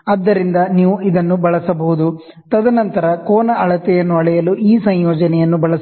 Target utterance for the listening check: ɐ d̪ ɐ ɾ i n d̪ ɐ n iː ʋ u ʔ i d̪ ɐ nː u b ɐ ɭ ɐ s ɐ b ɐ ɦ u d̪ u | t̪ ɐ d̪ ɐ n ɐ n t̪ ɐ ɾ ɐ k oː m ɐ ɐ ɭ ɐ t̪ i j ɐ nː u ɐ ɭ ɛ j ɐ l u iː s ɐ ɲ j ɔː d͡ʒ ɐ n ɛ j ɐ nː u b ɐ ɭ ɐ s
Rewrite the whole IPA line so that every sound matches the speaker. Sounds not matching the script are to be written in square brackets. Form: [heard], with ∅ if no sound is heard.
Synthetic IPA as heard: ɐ [d̪ː] ɐ ɾ i n d̪ ɐ n iː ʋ u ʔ i d̪ ɐ nː u b ɐ ɭ ɐ s ɐ b ɐ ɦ u d̪ u | t̪ ɐ d̪ ɐ n ɐ n t̪ ɐ ɾ ɐ k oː [n] ɐ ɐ ɭ ɐ t̪ [ɛ] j ɐ nː u ɐ ɭ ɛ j ɐ l u iː s ɐ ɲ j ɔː d͡ʒ ɐ n ɛ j ɐ nː u b ɐ ɭ ɐ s